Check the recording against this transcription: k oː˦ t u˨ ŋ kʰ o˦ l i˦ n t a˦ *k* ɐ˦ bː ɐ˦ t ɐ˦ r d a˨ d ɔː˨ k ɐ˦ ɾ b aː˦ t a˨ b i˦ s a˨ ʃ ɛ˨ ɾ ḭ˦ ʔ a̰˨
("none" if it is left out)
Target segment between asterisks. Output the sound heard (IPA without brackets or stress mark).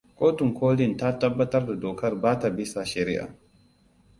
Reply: t